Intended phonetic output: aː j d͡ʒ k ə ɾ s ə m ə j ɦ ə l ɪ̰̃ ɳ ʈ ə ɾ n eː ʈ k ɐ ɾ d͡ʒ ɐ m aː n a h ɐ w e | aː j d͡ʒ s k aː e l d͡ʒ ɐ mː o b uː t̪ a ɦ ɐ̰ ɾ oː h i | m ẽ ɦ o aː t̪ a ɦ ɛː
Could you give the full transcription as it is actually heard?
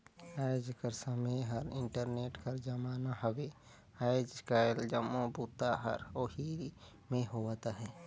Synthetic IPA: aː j d͡ʒ k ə ɾ s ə m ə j ɦ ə ɾ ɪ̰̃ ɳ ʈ ə ɾ n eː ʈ k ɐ ɾ d͡ʒ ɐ m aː n a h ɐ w e | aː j d͡ʒ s k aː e l d͡ʒ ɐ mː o b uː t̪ a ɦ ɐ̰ ɾ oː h i | m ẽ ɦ o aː t̪ a ɦ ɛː